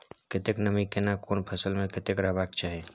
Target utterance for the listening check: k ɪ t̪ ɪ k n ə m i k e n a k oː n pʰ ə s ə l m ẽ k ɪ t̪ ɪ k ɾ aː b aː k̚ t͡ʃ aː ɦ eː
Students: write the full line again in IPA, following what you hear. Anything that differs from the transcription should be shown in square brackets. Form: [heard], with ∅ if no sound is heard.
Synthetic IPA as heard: k ɪ t̪ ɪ k n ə m i k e n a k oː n pʰ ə s ə l m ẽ k ɪ t̪ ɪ k ɾ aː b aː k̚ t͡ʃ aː ɦ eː